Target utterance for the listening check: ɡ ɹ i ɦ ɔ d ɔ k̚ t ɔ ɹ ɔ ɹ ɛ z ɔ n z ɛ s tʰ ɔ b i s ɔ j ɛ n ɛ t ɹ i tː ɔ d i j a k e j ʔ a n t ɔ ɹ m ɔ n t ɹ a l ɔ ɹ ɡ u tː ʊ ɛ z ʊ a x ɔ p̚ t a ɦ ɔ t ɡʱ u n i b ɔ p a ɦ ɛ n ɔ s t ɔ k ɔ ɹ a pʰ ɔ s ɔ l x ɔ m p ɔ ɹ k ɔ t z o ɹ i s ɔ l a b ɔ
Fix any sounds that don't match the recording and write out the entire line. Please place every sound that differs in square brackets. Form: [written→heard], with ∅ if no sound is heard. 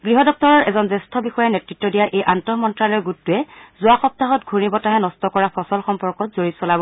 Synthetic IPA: ɡ ɹ i ɦ ɔ d ɔ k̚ t ɔ ɹ ɔ ɹ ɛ z ɔ n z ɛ s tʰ ɔ b i [s→x] ɔ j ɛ n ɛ t ɹ i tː ɔ d i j a [k→ʔ] e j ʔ a n t ɔ [ɹ→∅] m ɔ n t ɹ a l ɔ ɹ ɡ u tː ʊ ɛ z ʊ a x ɔ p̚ t a ɦ ɔ t ɡʱ u n i b ɔ [p→t] a ɦ ɛ n ɔ s t ɔ k ɔ ɹ a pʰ ɔ s ɔ l x ɔ m p ɔ ɹ k ɔ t z o ɹ i s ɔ l a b ɔ